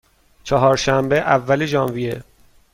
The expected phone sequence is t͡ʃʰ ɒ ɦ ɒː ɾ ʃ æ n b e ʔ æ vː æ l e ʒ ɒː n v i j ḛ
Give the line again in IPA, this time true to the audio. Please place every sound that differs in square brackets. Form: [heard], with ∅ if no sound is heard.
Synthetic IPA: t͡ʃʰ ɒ ɦ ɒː ɾ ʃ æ [m] b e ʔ æ vː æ l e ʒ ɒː n v i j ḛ